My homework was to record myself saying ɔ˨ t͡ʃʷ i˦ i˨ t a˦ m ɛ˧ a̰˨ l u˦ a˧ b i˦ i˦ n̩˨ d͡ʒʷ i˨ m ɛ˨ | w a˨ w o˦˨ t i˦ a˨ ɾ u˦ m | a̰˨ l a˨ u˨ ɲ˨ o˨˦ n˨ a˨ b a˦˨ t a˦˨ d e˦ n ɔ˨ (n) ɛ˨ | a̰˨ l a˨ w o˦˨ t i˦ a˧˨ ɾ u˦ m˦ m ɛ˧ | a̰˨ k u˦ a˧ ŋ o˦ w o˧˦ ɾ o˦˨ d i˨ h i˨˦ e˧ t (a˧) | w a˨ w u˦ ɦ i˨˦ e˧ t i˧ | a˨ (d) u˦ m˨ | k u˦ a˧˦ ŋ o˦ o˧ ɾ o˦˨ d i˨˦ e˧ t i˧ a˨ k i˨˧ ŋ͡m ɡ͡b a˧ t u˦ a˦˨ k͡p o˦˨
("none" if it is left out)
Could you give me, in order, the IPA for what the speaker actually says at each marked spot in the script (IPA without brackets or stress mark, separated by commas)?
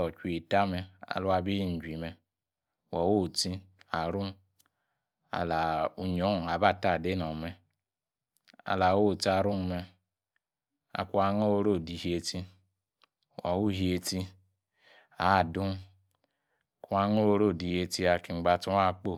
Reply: m, i˧, d